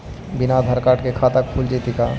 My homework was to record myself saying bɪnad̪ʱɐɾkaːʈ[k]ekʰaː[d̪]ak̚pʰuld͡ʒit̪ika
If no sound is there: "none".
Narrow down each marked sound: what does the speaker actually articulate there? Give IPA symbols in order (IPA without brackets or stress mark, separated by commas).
k, t̪